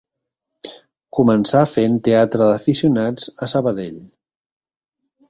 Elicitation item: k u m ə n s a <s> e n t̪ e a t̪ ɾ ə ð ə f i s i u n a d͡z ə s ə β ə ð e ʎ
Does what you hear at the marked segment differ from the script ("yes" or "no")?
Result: yes